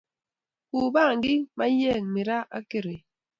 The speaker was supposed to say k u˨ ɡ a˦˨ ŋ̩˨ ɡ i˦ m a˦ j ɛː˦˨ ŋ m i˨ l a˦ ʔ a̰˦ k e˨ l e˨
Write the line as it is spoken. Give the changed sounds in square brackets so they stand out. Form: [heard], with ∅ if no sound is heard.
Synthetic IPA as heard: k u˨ [b] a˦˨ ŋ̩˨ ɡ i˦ m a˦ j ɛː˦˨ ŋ m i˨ [ɾ] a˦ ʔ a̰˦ k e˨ [ɾ] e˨